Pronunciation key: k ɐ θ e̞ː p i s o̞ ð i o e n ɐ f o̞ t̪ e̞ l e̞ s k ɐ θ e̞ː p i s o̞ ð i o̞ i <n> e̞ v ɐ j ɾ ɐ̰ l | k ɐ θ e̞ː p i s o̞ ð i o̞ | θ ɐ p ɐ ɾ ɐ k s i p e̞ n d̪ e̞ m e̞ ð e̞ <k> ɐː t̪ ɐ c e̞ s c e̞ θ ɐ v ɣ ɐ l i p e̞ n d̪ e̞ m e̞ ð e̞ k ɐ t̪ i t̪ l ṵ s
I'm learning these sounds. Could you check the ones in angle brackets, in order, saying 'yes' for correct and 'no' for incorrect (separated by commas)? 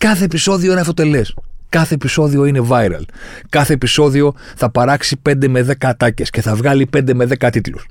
yes, yes